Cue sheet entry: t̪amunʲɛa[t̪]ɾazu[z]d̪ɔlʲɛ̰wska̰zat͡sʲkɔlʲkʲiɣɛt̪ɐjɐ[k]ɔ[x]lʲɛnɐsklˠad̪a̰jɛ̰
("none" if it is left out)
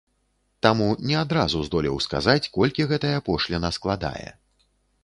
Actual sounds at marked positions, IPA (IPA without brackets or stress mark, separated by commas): d̪, z, p, ʂ